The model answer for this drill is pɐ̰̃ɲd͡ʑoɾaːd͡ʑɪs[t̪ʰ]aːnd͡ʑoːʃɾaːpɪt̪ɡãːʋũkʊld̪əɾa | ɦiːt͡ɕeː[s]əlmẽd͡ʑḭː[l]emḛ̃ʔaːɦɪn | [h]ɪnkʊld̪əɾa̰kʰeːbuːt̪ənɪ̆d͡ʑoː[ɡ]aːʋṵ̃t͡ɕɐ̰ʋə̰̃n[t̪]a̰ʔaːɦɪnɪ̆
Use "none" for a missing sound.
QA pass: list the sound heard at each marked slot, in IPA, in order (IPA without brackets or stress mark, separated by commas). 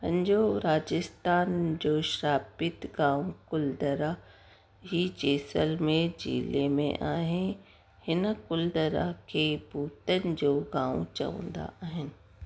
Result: t̪, s, l, h, ɡ, d̪